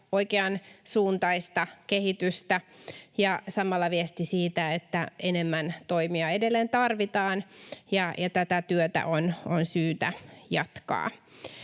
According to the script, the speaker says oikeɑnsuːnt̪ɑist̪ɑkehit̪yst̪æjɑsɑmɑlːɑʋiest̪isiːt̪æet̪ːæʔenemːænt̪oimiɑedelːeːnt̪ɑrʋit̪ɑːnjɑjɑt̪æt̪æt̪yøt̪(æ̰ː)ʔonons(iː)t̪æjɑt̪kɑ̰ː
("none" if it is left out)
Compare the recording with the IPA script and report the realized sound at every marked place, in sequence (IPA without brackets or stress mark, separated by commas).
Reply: æ̰, yː